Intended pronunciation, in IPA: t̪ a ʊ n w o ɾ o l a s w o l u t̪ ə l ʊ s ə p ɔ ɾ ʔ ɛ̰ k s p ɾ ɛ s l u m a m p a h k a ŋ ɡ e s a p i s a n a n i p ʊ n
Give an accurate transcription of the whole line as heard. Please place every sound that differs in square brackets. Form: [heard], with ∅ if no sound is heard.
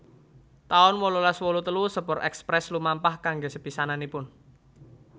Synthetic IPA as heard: t̪ a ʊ n w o [l] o l a s w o l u t̪ ə l [u] s ə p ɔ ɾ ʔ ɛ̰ k s p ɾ ɛ s l u m a m p a h k a ŋ ɡ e s [ə] p i s a n a n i p ʊ n